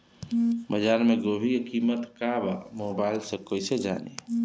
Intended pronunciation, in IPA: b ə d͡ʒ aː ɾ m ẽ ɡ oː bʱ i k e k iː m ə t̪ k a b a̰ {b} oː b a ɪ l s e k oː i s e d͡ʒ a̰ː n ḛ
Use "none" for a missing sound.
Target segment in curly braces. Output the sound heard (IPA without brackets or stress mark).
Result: m